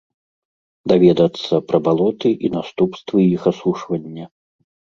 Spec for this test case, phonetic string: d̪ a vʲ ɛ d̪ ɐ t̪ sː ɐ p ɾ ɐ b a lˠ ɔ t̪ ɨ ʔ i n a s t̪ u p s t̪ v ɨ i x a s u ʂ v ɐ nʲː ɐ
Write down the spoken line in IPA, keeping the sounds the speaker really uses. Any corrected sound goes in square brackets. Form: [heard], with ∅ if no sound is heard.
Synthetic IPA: d̪ a vʲ ɛ d̪ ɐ t̪ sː ɐ p ɾ ɐ b a lˠ ɔ t̪ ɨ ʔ i n a s t̪ u p s t̪ v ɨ i x a s u ʂ v ɐ nʲː ɐ